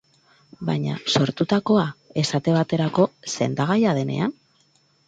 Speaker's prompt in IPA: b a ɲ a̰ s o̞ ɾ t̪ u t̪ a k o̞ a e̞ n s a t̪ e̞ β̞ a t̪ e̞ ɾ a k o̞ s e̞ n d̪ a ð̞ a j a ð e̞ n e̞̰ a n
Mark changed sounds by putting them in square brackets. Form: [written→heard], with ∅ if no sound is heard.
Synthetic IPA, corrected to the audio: b a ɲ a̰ s o̞ ɾ t̪ u t̪ a k o̞ a e̞ [n→∅] s a t̪ e̞ β̞ a t̪ e̞ ɾ a k o̞ s e̞ n d̪ a [ð̞→ɣ̞] a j a ð e̞ n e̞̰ a n

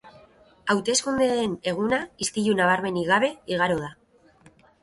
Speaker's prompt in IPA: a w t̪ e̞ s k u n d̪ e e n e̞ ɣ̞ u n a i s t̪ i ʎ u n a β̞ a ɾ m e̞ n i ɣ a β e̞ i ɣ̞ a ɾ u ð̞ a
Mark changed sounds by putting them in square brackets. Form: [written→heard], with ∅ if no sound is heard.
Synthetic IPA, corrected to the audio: a w t̪ e̞ s k u n d̪ e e n e̞ ɣ̞ u n a i s t̪ i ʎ u n a β̞ a ɾ m e̞ n i ɣ a β e̞ i ɣ̞ a ɾ [u→o] ð̞ a

